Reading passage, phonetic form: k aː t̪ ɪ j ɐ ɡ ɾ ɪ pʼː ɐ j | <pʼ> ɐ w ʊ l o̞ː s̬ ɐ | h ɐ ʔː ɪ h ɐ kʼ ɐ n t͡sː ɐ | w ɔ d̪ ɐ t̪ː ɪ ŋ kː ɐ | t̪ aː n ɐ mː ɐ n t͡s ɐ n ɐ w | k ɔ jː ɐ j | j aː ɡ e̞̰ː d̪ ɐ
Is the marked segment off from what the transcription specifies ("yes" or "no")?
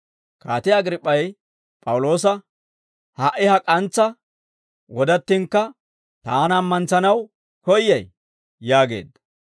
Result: no